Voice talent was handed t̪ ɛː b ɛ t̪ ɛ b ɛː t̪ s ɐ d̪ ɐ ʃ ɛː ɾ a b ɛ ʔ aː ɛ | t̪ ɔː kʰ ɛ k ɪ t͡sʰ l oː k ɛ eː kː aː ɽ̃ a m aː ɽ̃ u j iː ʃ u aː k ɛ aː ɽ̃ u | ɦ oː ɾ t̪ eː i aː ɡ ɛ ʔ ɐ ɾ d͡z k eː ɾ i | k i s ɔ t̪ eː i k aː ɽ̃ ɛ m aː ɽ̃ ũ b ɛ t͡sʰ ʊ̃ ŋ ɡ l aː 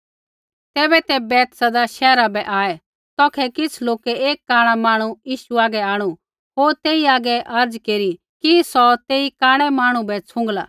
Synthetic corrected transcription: t̪ ɛː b ɛ t̪ ɛ b ɛː t̪ s ɐ d̪ a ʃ ɛː ɾ a b ɛ ʔ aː ɛ | t̪ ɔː kʰ ɛ k ɪ t͡sʰ l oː k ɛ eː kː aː ɽ̃ a m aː ɽ̃ u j iː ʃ u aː ɡ ɛ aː ɽ̃ u | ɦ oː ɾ t̪ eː i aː ɡ ɛ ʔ ɐ ɾ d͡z k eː ɾ i | k i s ɔ t̪ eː i k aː ɽ̃ ɛ m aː ɽ̃ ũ b ɛ t͡sʰ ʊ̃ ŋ ɡ l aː

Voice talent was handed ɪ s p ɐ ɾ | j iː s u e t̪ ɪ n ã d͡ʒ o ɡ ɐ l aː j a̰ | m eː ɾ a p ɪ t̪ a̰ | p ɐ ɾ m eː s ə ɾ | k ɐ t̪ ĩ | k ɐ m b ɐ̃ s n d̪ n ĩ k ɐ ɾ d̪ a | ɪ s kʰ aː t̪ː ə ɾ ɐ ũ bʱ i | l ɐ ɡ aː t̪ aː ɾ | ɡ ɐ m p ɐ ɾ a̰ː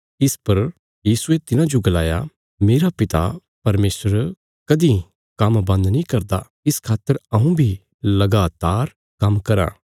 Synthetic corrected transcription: ɪ s p ɐ ɾ | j iː s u e t̪ ɪ n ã d͡ʒ o ɡ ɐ l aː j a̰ | m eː ɾ a p ɪ t̪ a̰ | p ɐ ɾ m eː s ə ɾ | k ɐ d̪ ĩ | k ɐ m b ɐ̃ n d̪ n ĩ k ɐ ɾ d̪ a | ɪ s kʰ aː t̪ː ə ɾ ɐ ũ bʱ i | l ɐ ɡ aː t̪ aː ɾ | k ɐ m k ɐ ɾ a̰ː

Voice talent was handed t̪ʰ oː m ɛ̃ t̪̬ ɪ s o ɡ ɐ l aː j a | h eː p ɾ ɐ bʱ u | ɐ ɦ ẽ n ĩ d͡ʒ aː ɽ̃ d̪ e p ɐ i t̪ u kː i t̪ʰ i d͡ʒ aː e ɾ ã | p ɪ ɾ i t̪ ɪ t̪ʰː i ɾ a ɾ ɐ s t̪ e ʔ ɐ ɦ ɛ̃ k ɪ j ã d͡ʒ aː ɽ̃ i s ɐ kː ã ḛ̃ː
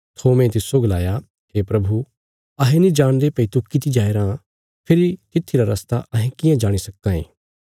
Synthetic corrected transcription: t̪ʰ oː m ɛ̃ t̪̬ ɪ s o ɡ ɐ l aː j a | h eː p ɾ ɐ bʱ u | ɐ ɦ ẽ n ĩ d͡ʒ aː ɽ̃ d̪ e p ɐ i t̪ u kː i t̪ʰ i d͡ʒ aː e ɾ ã | pʰ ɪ ɾ i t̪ ɪ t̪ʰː i ɾ a ɾ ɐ s t̪ a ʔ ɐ ɦ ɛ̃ k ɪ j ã d͡ʒ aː ɽ̃ i s ɐ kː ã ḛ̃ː

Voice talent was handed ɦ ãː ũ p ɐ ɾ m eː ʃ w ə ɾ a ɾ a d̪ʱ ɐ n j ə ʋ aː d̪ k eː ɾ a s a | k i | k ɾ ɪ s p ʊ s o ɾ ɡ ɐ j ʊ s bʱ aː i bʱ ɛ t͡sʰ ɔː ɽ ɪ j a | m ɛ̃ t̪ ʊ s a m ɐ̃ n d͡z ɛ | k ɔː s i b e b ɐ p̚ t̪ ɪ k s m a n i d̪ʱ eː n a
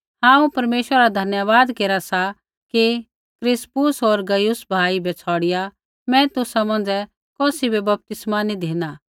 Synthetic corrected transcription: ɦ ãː ũ p ɐ ɾ m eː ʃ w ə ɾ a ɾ a d̪ʱ ɐ n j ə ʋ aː d̪ k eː ɾ a s a | k i | k ɾ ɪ s p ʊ s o ɾ ɡ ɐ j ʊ s bʱ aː i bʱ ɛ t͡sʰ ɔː ɽ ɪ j a | m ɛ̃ t̪ ʊ s a m ɐ̃ n d͡z ɛ | k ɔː s i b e b ɐ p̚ t̪ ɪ s m a n i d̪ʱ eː n a

